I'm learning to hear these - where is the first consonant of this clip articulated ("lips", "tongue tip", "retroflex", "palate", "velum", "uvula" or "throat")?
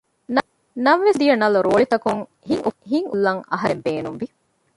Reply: tongue tip